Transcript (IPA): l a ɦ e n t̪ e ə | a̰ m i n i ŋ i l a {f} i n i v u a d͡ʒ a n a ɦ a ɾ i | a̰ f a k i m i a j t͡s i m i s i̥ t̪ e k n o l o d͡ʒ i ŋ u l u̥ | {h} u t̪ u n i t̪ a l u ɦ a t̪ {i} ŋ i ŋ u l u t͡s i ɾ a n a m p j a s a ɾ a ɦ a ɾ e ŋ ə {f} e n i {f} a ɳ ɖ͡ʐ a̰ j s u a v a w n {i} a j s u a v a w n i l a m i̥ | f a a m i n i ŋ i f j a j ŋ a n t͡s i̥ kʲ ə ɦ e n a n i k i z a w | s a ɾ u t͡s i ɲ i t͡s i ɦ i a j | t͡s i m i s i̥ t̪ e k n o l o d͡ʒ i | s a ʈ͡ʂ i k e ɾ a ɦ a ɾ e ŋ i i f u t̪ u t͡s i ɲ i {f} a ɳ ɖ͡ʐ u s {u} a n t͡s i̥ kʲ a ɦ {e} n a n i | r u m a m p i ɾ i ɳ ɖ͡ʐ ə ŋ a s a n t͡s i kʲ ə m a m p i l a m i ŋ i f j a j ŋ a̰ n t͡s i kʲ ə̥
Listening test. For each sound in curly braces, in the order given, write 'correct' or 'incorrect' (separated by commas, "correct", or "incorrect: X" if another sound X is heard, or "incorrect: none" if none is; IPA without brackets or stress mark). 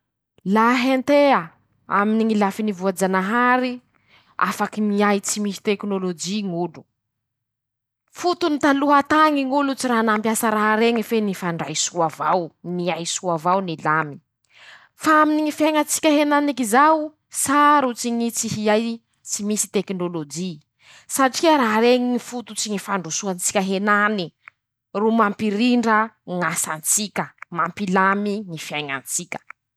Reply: correct, incorrect: f, incorrect: a, correct, correct, correct, correct, correct, correct